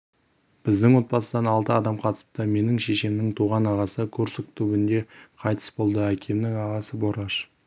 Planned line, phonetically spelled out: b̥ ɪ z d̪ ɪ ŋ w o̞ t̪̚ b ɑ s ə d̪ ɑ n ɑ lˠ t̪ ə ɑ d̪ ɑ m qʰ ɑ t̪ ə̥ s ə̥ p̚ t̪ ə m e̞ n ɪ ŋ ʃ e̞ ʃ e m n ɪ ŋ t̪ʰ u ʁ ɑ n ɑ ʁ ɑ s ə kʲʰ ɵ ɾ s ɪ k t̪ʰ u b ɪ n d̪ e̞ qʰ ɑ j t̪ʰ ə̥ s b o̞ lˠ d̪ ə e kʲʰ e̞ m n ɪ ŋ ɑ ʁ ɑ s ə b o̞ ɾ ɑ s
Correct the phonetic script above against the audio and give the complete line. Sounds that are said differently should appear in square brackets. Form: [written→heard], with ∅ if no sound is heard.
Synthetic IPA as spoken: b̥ ɪ z d̪ ɪ ŋ w o̞ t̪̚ b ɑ s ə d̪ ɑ n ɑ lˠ t̪ ə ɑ d̪ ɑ m qʰ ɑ t̪ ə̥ s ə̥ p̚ t̪ ə m e̞ n ɪ ŋ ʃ e̞ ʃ e m n ɪ ŋ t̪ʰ u ʁ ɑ n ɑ ʁ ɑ s ə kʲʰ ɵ ɾ s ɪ k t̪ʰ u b ɪ n d̪ e̞ qʰ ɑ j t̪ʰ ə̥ s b o̞ lˠ d̪ ə [e→æ] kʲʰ e̞ m n ɪ ŋ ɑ ʁ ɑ s ə b o̞ ɾ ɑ [s→ʃ]